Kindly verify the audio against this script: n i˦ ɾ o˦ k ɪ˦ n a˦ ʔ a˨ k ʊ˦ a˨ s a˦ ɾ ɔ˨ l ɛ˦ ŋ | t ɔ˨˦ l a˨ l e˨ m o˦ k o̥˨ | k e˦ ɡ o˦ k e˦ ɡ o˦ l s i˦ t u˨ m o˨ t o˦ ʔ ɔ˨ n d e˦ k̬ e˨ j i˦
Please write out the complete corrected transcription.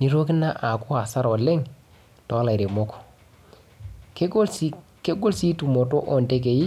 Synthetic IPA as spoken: n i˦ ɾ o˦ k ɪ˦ n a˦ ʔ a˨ k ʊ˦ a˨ s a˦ ɾ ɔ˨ l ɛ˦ ŋ | t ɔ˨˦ l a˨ ɾ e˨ m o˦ k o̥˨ | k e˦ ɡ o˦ k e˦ ɡ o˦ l s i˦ t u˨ m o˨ t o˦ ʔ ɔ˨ n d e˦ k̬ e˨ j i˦